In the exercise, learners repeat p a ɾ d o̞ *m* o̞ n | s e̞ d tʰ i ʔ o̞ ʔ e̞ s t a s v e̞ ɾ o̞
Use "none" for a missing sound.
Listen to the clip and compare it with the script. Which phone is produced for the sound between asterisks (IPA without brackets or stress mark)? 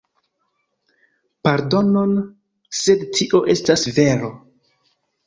n